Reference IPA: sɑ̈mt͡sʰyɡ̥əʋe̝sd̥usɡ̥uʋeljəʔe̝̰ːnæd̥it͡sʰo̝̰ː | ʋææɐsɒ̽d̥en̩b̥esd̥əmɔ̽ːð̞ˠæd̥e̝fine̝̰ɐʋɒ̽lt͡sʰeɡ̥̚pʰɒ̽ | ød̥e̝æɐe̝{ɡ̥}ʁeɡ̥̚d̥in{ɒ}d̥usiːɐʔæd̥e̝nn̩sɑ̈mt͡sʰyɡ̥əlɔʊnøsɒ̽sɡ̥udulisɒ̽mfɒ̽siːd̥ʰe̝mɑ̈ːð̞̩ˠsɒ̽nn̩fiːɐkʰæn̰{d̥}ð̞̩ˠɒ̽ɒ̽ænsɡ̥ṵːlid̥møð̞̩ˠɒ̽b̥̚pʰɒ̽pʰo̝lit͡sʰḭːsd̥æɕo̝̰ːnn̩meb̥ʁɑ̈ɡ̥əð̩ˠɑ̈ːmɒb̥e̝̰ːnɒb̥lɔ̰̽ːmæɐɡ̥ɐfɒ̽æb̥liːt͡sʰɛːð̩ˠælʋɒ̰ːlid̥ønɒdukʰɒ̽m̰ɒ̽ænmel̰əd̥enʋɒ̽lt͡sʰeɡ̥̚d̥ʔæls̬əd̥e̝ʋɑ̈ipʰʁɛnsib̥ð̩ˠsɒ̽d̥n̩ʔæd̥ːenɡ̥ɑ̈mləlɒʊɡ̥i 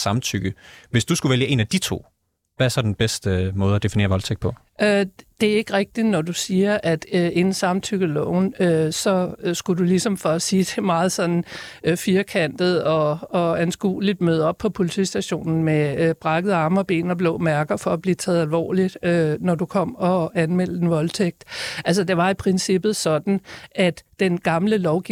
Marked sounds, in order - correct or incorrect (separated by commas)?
correct, correct, correct